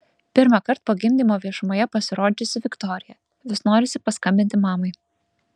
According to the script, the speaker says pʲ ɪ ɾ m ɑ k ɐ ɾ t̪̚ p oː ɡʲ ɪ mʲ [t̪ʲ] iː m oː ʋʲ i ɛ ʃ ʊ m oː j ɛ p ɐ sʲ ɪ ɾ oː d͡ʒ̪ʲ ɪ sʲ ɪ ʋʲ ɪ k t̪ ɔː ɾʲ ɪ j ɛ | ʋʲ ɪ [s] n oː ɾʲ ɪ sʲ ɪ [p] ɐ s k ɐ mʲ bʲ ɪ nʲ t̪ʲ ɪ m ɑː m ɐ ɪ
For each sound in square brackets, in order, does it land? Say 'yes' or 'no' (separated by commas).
no, yes, yes